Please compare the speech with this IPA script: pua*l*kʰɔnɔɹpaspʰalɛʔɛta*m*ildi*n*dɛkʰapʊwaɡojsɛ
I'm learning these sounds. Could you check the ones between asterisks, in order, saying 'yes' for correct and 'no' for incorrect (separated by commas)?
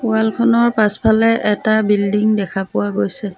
yes, no, no